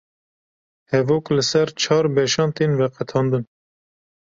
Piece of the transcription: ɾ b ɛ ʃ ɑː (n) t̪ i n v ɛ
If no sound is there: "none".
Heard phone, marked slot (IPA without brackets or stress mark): n